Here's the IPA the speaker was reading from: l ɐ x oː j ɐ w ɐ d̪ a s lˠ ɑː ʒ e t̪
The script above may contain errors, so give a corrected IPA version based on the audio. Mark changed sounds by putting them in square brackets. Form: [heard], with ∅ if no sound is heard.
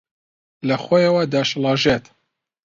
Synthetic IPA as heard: l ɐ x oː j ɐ w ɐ d̪ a [ʃ] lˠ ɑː ʒ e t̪